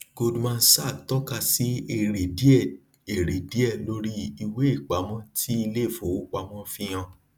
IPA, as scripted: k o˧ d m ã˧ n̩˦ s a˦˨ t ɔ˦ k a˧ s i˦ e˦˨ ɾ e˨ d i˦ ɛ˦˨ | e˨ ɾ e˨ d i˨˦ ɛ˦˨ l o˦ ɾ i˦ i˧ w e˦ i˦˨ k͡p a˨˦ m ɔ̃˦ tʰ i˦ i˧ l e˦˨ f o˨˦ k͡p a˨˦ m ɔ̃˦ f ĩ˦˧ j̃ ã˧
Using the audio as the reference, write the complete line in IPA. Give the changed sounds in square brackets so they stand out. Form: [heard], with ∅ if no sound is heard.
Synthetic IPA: [ɡ] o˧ d m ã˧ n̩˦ s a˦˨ t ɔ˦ k a˧ s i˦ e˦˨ ɾ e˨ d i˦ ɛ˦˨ | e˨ ɾ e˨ d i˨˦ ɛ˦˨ l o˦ ɾ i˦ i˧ w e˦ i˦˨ k͡p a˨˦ m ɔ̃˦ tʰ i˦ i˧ l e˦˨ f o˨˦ k͡p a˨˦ m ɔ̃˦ f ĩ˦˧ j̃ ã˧